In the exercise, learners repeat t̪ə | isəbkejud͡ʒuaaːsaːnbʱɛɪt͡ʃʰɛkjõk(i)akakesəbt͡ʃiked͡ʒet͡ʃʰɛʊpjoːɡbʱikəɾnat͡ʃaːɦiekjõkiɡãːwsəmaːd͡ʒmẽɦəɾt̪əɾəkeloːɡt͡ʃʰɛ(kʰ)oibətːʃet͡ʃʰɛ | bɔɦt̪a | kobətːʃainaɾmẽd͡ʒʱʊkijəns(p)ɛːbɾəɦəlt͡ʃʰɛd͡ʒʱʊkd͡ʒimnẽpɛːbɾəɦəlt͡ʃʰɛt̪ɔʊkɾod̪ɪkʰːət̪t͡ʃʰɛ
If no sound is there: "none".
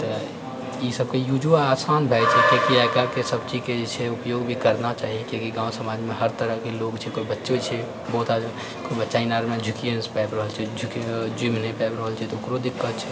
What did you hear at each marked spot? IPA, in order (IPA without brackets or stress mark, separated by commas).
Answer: i, k, p